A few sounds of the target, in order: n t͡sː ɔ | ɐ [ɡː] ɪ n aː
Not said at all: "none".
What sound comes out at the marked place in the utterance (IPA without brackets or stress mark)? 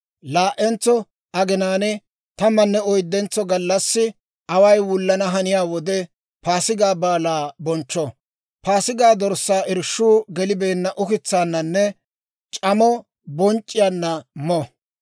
ɡ